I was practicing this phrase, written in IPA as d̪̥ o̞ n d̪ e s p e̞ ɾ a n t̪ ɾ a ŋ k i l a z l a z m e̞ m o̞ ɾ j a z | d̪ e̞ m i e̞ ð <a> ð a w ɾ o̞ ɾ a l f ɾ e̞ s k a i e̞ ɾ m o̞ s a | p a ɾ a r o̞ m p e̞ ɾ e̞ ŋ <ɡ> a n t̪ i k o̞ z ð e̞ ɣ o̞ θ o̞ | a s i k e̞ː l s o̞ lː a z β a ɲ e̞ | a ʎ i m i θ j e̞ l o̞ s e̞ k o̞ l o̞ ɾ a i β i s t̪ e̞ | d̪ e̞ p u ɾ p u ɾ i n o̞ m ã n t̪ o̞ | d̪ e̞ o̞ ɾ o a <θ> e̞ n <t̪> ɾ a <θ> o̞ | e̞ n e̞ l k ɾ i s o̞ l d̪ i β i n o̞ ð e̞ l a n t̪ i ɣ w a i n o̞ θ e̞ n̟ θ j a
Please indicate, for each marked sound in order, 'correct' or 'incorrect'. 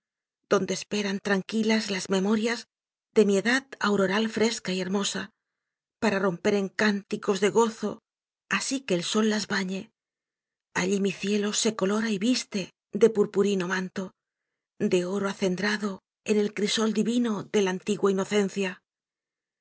correct, incorrect, correct, incorrect, incorrect

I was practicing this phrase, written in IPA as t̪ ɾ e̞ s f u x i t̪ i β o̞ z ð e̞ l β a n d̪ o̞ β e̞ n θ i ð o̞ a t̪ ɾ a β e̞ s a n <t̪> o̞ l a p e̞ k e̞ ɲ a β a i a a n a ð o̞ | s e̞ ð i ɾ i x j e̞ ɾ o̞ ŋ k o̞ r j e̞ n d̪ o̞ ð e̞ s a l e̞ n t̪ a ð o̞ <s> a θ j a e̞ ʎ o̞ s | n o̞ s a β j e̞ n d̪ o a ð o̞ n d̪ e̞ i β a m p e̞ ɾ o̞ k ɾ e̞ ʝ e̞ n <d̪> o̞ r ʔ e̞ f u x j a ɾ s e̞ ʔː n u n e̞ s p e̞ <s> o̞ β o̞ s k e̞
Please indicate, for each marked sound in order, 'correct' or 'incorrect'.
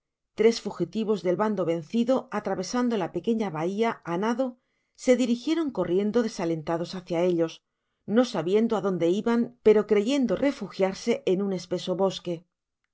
incorrect, correct, correct, correct

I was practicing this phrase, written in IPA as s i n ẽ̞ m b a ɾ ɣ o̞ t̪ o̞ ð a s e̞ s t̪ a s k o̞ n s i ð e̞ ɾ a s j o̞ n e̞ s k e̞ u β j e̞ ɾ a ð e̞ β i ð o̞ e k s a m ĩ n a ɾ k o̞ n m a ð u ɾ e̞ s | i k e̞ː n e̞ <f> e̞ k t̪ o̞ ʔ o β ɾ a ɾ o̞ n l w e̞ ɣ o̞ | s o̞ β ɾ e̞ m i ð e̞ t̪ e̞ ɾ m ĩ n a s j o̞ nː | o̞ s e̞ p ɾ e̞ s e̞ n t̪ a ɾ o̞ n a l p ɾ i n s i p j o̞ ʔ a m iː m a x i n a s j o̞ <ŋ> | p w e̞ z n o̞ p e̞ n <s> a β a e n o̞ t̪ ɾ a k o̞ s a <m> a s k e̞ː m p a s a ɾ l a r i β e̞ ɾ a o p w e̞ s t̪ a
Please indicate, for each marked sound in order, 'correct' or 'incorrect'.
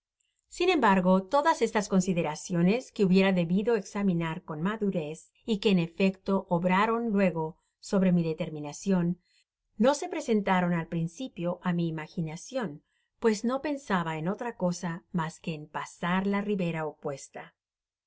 correct, incorrect, correct, correct

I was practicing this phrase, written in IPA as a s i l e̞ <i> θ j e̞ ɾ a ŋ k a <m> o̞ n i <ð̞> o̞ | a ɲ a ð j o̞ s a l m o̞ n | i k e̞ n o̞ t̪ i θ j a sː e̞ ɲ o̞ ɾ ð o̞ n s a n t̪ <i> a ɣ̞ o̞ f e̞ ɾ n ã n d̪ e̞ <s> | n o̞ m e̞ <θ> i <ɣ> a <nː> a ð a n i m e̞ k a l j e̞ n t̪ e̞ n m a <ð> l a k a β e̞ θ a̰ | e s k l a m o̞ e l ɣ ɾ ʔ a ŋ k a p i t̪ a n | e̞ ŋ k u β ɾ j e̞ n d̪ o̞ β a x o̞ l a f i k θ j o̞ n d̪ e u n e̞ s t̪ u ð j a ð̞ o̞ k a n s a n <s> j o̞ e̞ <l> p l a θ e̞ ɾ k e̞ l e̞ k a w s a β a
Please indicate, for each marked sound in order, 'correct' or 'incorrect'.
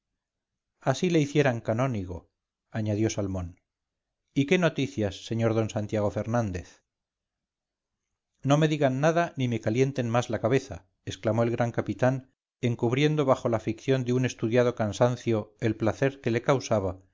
correct, incorrect, incorrect, incorrect, incorrect, incorrect, correct, correct, incorrect, incorrect, correct

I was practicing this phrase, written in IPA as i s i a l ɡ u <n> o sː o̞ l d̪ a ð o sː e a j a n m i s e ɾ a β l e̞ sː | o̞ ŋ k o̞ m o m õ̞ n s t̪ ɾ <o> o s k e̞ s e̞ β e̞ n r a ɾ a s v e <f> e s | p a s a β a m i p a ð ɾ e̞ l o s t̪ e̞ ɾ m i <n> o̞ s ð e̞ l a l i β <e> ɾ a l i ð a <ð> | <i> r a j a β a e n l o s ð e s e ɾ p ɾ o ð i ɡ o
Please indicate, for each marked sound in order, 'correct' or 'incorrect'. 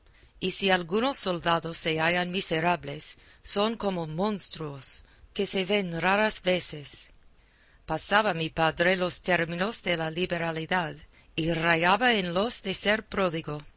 correct, incorrect, incorrect, correct, correct, correct, correct

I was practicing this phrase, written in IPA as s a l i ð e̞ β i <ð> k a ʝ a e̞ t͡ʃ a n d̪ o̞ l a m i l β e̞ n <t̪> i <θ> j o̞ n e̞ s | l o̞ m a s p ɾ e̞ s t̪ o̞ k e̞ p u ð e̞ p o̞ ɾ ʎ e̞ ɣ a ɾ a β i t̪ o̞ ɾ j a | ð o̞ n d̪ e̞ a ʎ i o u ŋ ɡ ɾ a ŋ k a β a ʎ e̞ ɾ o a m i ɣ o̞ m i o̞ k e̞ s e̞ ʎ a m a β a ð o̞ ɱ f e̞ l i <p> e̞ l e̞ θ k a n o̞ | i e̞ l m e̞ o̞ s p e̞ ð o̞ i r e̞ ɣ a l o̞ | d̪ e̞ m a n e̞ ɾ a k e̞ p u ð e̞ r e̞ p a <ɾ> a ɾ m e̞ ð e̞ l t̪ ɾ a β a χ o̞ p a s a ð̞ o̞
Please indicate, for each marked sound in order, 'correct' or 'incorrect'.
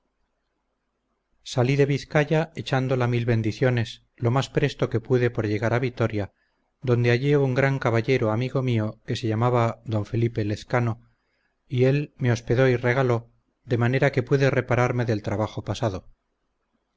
incorrect, incorrect, correct, correct, correct

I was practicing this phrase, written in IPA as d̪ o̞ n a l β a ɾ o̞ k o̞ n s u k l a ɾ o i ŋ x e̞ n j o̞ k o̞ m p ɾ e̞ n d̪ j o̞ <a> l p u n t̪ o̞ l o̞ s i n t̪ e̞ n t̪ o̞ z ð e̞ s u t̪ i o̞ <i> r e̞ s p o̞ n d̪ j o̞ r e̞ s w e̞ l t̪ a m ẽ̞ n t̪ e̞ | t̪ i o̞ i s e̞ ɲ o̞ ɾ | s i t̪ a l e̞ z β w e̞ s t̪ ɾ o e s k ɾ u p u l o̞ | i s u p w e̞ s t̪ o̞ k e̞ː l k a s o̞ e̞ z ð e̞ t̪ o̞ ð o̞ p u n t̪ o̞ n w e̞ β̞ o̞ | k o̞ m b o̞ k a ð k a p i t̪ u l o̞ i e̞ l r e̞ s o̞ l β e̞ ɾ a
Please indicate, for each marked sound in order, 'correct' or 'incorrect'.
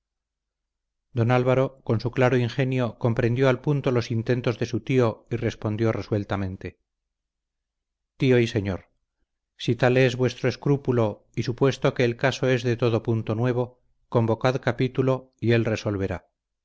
correct, correct

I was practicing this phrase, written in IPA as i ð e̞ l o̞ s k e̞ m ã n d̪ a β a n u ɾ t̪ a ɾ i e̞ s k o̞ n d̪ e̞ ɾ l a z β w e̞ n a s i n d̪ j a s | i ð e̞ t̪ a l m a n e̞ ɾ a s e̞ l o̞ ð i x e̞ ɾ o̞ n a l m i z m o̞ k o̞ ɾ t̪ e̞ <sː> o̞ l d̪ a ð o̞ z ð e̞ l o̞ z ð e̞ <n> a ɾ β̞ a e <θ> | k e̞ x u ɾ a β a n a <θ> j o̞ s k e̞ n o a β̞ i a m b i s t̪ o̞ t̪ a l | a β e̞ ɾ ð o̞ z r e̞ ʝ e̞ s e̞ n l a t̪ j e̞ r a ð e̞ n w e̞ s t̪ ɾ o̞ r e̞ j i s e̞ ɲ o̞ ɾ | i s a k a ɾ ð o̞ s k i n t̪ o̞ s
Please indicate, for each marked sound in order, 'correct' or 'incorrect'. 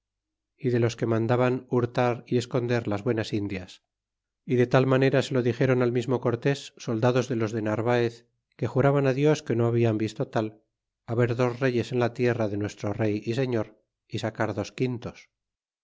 correct, correct, correct, incorrect

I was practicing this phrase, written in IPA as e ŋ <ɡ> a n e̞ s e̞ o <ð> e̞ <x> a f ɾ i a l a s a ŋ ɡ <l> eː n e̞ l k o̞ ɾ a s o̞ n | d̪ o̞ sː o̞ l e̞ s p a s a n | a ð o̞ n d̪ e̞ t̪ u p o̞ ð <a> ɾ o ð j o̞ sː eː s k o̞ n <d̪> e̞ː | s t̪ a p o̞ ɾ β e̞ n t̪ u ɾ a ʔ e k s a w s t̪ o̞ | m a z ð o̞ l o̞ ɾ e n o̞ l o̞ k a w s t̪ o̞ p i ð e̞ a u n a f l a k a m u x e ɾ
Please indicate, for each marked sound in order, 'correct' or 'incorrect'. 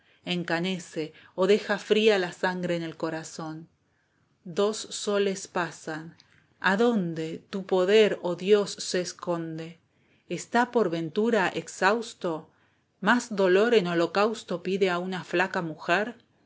incorrect, correct, correct, incorrect, incorrect, correct

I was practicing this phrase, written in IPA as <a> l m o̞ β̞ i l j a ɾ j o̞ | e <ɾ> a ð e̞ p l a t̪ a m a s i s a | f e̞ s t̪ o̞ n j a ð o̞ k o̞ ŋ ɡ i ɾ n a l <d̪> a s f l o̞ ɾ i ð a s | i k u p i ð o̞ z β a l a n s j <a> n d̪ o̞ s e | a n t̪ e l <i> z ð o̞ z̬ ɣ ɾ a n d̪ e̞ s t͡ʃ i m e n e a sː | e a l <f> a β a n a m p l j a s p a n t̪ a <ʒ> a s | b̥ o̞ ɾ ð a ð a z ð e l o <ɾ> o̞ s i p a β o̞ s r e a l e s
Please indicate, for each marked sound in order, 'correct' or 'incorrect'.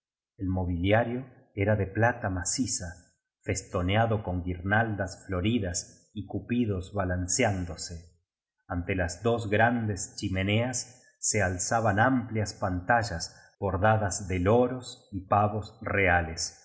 incorrect, correct, correct, correct, incorrect, incorrect, correct, correct

